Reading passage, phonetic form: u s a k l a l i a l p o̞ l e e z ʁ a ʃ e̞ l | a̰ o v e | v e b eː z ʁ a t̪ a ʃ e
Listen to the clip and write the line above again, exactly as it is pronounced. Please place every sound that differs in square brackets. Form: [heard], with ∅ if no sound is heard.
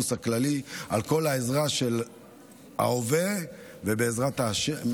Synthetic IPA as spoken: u s a k l a l i a l [k] o̞ l [a] e z ʁ a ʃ e̞ l | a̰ o v e | v e b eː z ʁ a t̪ a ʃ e